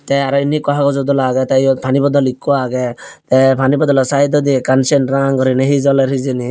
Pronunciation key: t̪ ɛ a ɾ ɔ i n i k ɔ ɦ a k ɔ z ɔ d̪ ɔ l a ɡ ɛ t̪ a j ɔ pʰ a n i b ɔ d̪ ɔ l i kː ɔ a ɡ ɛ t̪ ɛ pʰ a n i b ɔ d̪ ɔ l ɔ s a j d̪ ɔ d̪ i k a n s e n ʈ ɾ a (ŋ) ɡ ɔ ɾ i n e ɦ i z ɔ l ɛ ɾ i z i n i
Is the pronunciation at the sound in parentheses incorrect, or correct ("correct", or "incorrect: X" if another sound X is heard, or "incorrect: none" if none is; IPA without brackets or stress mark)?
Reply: correct